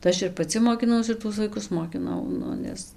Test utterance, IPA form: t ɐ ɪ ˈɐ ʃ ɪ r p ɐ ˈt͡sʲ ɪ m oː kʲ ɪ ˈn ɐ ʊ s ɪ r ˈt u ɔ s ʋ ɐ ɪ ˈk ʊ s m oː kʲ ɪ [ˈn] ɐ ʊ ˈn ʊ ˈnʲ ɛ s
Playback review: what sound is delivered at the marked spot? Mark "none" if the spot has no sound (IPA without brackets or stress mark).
n